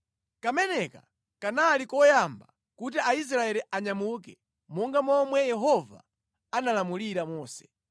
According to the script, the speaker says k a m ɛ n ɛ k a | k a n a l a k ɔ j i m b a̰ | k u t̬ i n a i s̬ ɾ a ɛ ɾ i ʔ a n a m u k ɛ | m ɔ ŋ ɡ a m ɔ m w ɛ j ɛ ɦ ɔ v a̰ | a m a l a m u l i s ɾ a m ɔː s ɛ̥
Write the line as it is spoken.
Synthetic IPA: k a m ɛ n ɛ k a | k a n a l i k ɔ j a m b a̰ | k u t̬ i a i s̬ ɾ a ɛ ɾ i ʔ a ɲ a m u k ɛ | m ɔ ŋ ɡ a m ɔ m w ɛ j ɛ ɦ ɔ v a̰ | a n a l a m u l i ɾ a m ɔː s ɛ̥

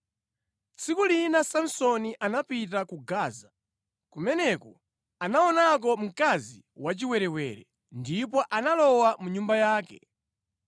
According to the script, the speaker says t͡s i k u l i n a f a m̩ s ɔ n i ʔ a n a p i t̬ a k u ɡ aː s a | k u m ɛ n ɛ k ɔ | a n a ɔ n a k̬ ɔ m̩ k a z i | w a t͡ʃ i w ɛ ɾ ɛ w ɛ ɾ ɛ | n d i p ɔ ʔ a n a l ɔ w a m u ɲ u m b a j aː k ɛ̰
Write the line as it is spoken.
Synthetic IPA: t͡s i k u l i n a s a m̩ s ɔ n i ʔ a n a p i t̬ a k u ɡ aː z a | k u m ɛ n ɛ k ɔ | a n a ɔ n a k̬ ɔ m̩ k a z i | w a t͡ʃ i w ɛ ɾ ɛ w ɛ ɾ ɛ | n d i p ɔ ʔ a n a l ɔ w a m u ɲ u m b a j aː k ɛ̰

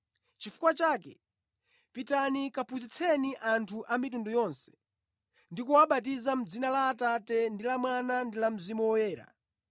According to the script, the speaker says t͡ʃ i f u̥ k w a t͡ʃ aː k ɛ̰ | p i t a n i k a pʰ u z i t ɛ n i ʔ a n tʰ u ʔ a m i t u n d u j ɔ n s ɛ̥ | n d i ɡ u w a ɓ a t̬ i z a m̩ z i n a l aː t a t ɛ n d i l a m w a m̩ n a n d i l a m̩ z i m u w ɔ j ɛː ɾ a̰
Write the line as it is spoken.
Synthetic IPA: t͡ʃ i f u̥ k w a t͡ʃ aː k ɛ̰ | p i t a n i k a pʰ u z i t͡sʰ ɛ n i ʔ a n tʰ u ʔ a m i t u n d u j ɔ n s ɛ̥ | n d i k u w a ɓ a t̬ i z a m̩ d͡z i n a l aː t a t ɛ n d i l a m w a n a n d i l a m̩ z i m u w ɔ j ɛː ɾ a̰

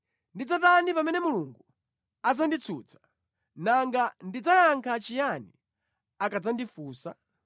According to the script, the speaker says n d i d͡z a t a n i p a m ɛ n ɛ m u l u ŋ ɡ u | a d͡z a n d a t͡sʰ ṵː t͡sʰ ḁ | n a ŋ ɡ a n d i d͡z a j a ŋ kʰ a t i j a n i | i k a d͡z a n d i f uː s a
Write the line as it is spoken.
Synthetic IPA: n d i d͡z a t a n i p a m ɛ n ɛ m u l u ŋ ɡ u | a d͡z a n d i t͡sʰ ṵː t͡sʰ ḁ | n a ŋ ɡ a n d i d͡z a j a ŋ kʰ a t͡ʃ i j a n i | a k a d͡z a n d i f uː s a

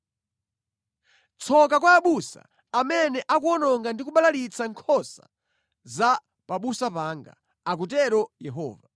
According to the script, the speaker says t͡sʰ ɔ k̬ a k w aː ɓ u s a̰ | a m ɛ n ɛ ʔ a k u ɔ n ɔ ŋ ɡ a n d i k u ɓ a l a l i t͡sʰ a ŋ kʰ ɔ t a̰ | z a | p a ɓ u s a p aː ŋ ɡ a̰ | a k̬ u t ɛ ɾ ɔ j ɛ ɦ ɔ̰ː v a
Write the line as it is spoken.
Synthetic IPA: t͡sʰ ɔ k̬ a k w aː ɓ u s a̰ | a m ɛ n ɛ ʔ a k u ɔ n ɔ ŋ ɡ a n d i k u ɓ a l a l i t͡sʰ a ŋ kʰ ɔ s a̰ | z a | p a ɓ u s a p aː ŋ ɡ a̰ | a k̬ u t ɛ ɾ ɔ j ɛ ɦ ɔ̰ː v a

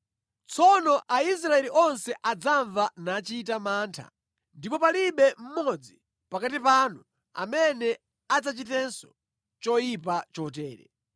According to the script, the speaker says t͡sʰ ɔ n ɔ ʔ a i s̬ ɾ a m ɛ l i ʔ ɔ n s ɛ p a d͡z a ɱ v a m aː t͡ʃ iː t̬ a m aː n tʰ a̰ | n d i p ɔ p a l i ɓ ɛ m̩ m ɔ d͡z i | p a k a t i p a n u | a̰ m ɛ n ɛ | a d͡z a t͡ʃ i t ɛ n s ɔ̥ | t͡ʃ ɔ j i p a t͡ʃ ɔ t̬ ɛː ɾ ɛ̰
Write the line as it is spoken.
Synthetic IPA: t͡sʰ ɔ n ɔ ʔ a i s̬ ɾ a ɛ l i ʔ ɔ n s ɛ ʔ a d͡z a ɱ v a n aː t͡ʃ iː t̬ a m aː n tʰ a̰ | n d i p ɔ p a l i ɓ ɛ m̩ m ɔ d͡z i | p a k a t i p a n u | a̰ m ɛ n ɛ | a d͡z a t͡ʃ i t ɛ n s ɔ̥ | t͡ʃ ɔ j i p a t͡ʃ ɔ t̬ ɛː ɾ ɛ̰

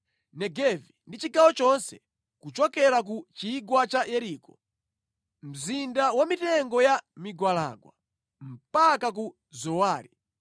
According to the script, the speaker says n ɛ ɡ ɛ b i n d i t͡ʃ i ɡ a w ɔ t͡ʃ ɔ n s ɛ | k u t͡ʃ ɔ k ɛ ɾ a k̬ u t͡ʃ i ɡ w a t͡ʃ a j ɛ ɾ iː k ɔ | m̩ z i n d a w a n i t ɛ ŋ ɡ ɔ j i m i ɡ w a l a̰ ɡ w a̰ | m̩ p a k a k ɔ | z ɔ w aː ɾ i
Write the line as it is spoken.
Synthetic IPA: n ɛ ɡ ɛ v i n d i t͡ʃ i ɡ a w ɔ t͡ʃ ɔ n s ɛ | k u t͡ʃ ɔ k ɛ ɾ a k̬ u t͡ʃ i ɡ w a t͡ʃ a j ɛ ɾ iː k ɔ | m̩ z i n d a w a m i t ɛ ŋ ɡ ɔ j a m i ɡ w a l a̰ ɡ w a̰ | m̩ p a k a k u | z ɔ w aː ɾ i

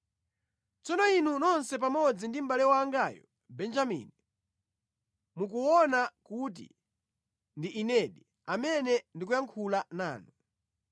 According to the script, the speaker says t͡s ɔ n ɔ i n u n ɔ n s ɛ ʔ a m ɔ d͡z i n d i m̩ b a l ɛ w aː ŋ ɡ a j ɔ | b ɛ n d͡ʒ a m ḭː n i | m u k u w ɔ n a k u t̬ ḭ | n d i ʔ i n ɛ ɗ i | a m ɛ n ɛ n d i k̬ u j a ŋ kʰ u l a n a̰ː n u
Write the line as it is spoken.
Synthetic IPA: t͡s ɔ n ɔ i n u n ɔ n s ɛ p a m ɔ d͡z i n d i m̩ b a l ɛ w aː ŋ ɡ a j ɔ | b ɛ n d͡ʒ a m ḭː n i | m u k u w ɔ n a k u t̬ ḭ | n d i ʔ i n ɛ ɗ i | a m ɛ n ɛ n d i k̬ u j a ŋ kʰ u l a n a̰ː n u

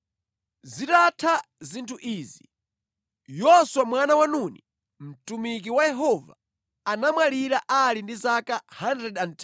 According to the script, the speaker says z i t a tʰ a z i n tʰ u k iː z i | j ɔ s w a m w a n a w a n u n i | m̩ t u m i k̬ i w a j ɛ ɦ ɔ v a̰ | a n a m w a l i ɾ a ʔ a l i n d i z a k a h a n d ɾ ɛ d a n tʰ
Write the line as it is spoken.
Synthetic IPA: z i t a tʰ a z i n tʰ u ʔ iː z i | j ɔ s w a m w a n a w a n u n i | m̩ t u m i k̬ i w a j ɛ ɦ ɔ v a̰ | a n a m w a l i ɾ a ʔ a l i n d i z a k a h a n d ɾ ɛ d a n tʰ

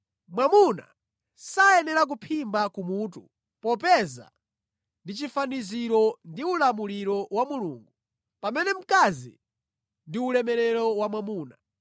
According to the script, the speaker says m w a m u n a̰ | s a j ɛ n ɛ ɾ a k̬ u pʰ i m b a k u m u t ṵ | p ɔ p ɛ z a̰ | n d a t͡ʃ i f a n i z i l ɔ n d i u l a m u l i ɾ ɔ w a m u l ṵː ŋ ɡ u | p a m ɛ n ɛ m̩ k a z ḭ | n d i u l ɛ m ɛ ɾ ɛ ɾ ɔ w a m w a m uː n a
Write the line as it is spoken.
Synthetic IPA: m w a m u n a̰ | s a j ɛ n ɛ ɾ a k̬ u pʰ i m b a k u m u t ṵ | p ɔ p ɛ z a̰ | n d i t͡ʃ i f a n i z i ɾ ɔ n d i u l a m u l i ɾ ɔ w a m u l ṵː ŋ ɡ u | p a m ɛ n ɛ m̩ k a z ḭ | n d i u l ɛ m ɛ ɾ ɛ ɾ ɔ w a m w a m uː n a

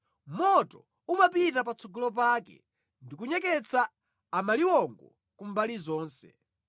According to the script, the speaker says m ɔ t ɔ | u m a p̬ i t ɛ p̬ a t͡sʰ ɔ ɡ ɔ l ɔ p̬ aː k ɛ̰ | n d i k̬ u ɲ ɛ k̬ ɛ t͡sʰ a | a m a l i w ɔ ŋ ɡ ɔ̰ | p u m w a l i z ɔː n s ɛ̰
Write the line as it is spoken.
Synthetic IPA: m ɔ t ɔ | u m a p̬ i t a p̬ a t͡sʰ ɔ ɡ ɔ l ɔ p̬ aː k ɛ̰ | n d i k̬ u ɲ ɛ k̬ ɛ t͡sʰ a | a m a l i w ɔ ŋ ɡ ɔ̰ | k u m b a l i z ɔː n s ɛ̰

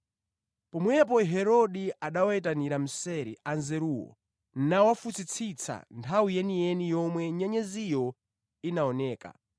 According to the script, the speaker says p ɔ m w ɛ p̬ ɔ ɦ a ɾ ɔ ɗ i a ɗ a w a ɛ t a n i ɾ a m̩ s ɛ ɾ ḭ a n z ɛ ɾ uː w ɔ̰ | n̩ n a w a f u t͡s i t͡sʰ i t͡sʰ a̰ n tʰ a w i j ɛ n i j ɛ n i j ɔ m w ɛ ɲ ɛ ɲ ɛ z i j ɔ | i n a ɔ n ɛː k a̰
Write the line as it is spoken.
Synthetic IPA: p ɔ m w ɛ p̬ ɔ ɦ ɛ ɾ ɔ ɗ i a ɗ a w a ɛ t a n i ɾ a m̩ s ɛ ɾ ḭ a n z ɛ ɾ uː w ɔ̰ | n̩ n a w a f u t͡s i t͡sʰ i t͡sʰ a̰ n tʰ a w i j ɛ n i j ɛ n i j ɔ m w ɛ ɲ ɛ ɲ ɛ z i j ɔ | i n a ɔ n ɛː k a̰

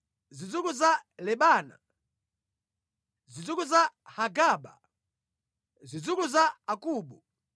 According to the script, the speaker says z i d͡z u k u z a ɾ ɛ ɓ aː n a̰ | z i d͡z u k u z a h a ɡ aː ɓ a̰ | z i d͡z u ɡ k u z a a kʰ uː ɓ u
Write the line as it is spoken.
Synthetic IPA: z i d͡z u k u z a l ɛ ɓ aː n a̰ | z i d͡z u k u z a h a ɡ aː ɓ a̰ | z i d͡z u k u z a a k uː ɓ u

